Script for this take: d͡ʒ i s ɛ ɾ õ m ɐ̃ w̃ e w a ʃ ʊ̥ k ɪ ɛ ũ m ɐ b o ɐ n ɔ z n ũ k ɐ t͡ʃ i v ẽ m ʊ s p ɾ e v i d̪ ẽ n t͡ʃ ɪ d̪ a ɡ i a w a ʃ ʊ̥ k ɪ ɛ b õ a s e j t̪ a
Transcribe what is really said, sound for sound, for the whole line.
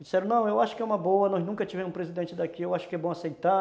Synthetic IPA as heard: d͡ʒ i s ɛ ɾ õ n ɐ̃ w̃ e w a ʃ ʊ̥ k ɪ ɛ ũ m ɐ b o ɐ n ɔ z n ũ k ɐ t͡ʃ i v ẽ m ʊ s p ɾ e z i d̪ ẽ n t͡ʃ ɪ d̪ a k i e w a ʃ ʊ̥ k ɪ ɛ b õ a s e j t̪ a

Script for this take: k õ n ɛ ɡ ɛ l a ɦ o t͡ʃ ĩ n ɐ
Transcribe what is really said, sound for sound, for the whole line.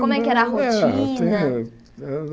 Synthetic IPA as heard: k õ m ɛ k ɛ ɾ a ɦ o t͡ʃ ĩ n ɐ

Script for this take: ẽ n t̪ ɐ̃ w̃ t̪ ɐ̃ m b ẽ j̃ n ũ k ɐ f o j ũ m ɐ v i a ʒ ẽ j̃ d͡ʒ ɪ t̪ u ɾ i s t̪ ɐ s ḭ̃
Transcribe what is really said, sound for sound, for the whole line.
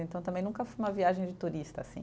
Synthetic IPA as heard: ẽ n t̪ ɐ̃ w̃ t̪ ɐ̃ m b ẽ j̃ n ũ k ɐ f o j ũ m ɐ v i a ʒ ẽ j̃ d͡ʒ ɪ t̪ u ɾ i s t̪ ɐ s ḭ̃

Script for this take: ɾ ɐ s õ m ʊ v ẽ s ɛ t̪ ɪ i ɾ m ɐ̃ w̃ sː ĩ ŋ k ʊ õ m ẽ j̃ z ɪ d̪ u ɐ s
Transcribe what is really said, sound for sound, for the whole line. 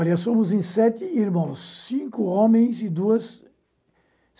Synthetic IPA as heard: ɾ ɐ s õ m ʊ z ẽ s ɛ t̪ ɪ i ɾ m ɐ̃ w̃ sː ĩ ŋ k ʊ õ m ẽ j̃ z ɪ d̪ u ɐ s

